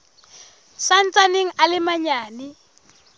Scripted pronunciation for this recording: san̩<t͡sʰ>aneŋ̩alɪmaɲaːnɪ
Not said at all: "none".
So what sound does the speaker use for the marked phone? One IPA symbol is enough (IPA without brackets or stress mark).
t͡s